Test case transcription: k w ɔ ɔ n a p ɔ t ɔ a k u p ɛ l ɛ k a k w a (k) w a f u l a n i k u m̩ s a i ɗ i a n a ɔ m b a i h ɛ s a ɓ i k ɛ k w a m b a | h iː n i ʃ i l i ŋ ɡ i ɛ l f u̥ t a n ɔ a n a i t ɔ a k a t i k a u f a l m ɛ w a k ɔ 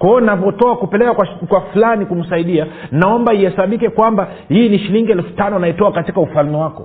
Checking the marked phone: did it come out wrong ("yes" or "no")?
no